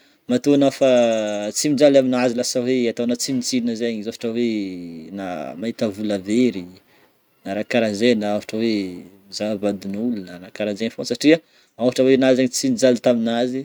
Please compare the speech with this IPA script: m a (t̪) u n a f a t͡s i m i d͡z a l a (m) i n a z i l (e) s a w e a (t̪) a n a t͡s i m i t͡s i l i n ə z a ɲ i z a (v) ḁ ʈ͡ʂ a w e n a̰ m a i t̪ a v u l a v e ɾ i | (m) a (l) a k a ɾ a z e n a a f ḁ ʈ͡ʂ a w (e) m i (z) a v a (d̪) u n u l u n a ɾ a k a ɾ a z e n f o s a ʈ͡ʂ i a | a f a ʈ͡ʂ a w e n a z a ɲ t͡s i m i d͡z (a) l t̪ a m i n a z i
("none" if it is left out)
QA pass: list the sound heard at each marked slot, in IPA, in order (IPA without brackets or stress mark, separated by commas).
t̪, m, a, t̪, f, n, ɾ, e, z, d̪, a